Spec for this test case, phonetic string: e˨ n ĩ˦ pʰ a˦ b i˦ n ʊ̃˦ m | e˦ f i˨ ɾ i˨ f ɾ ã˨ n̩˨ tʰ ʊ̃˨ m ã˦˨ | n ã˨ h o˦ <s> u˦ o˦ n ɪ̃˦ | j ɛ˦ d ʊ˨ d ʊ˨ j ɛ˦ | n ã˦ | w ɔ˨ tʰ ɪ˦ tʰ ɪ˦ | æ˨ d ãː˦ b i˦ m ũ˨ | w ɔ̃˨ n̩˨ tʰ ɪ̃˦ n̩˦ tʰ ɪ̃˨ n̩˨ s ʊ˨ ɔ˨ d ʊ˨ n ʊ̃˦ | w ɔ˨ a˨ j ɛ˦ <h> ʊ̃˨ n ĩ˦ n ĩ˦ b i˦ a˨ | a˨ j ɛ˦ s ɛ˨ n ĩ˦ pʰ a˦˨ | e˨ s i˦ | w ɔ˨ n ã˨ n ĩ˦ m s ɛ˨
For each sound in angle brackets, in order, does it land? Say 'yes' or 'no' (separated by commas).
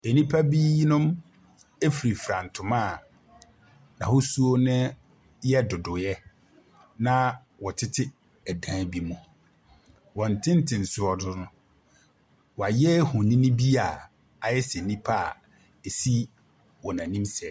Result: yes, yes